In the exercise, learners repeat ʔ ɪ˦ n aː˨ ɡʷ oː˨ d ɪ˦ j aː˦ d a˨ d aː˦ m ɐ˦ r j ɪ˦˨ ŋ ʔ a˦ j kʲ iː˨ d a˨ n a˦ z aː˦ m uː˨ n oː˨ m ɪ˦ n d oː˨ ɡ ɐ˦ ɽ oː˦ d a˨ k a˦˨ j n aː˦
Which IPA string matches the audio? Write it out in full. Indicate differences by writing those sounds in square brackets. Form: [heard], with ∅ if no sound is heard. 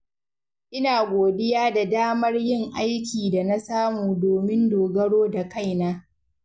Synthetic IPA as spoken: ʔ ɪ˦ n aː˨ ɡʷ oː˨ d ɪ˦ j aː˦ d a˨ d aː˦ m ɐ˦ r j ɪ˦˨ ŋ ʔ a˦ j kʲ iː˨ d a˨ n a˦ [s] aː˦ m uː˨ [d] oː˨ m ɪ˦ n d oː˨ ɡ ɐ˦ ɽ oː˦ d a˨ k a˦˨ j n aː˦